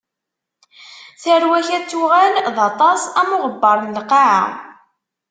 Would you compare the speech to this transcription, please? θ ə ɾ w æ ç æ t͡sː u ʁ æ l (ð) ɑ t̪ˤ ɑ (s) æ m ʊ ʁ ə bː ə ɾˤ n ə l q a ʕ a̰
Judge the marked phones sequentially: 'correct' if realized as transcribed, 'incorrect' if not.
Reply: correct, correct

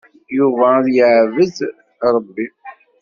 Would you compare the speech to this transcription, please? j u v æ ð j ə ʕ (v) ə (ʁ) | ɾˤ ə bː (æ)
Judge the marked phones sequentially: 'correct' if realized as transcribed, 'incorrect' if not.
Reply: correct, incorrect: z, incorrect: i

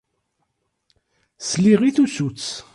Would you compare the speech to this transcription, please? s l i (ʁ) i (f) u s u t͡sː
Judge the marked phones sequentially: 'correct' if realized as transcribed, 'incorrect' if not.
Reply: correct, incorrect: θ

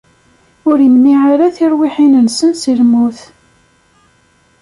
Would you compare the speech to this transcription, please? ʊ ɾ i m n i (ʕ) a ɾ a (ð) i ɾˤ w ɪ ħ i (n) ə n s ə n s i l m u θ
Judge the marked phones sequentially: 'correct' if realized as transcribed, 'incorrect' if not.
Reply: correct, incorrect: θ, correct

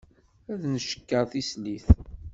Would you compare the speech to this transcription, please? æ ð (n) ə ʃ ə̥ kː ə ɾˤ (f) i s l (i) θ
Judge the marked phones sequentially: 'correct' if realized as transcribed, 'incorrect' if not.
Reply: correct, incorrect: θ, correct

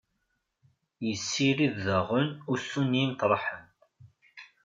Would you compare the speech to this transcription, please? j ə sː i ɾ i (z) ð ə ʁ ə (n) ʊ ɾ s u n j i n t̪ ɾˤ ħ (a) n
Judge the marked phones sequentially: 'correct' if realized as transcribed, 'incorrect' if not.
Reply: incorrect: ð, correct, incorrect: ə

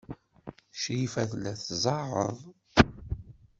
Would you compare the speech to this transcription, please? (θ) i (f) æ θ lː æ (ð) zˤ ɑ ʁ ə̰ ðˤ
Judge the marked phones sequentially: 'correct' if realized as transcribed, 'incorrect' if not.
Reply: incorrect: ʃ, correct, incorrect: θ

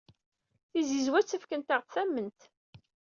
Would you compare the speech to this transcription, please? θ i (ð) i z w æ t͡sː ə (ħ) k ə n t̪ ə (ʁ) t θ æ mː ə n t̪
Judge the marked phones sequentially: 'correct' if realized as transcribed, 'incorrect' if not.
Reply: incorrect: z, incorrect: f, correct

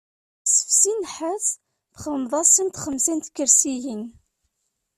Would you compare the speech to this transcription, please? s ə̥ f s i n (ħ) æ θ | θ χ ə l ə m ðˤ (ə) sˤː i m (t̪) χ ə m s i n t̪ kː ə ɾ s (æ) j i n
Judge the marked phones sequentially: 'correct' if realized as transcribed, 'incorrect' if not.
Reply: correct, incorrect: ɑ, correct, incorrect: i

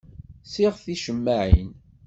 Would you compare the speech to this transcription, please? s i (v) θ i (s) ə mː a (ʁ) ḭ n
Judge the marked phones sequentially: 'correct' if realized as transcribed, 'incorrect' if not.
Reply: incorrect: ʁ, incorrect: ʃ, incorrect: ʕ

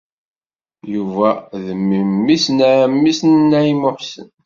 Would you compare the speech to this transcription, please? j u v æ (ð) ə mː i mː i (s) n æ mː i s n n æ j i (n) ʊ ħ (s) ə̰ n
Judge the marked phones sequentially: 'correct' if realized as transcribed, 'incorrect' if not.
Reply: correct, correct, incorrect: m, correct

